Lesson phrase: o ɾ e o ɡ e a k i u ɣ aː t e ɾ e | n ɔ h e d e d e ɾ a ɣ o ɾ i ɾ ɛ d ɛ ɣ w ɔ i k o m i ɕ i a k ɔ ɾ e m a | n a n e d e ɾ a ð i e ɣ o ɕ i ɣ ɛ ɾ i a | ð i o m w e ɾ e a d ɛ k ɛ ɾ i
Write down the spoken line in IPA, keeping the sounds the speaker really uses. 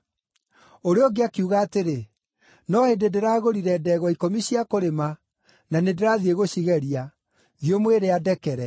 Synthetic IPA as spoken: o ɾ e o ɡ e a k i u ɣ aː t e ɾ e | n ɔ h e d e d e ɾ a ɣ o ɾ i ɾ ɛ d ɛ ɣ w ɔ i k o m i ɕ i a k o ɾ e m a | n a n e d e ɾ a ð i e ɣ o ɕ i ɣ ɛ ɾ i a | ð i o m w e ɾ e a d ɛ k ɛ ɾ ɛ